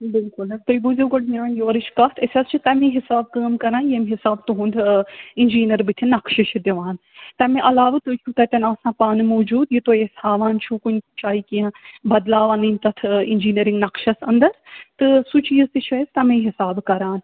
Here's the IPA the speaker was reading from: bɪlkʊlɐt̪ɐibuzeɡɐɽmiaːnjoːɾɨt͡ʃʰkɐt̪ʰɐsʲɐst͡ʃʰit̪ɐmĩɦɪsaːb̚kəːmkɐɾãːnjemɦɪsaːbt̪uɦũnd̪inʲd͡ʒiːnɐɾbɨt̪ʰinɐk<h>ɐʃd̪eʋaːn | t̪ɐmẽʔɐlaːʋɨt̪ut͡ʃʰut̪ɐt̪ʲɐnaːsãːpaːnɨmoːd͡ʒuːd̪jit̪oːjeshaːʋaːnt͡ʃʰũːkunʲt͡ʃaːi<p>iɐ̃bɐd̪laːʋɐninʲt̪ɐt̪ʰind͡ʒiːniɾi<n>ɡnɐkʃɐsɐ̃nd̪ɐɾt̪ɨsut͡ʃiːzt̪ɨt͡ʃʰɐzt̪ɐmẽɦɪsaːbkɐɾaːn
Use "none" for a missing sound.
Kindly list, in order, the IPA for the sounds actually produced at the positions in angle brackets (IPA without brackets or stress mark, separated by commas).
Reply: ʃ, k, ŋ